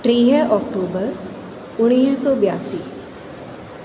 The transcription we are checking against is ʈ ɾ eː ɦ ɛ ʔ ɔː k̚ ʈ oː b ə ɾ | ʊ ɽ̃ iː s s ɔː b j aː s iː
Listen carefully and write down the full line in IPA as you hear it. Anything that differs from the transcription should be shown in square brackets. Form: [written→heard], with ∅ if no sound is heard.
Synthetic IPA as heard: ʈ ɾ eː ɦ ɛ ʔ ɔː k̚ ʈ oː b ə ɾ | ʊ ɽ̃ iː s s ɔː b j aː s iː